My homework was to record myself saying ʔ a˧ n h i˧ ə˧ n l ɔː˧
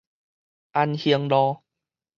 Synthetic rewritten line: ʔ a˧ n h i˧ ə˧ ŋ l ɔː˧